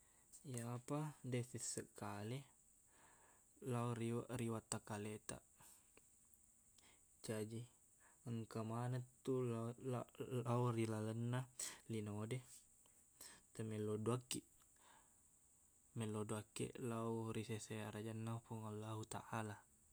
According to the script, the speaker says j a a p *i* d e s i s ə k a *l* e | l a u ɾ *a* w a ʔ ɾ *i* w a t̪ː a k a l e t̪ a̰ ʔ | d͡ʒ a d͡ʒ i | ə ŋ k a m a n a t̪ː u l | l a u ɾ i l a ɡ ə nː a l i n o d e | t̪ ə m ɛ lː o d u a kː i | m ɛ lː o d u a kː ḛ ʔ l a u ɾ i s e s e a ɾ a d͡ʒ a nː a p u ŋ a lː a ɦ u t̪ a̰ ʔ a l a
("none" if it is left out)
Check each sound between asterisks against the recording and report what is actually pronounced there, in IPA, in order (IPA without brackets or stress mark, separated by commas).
a, l, i, i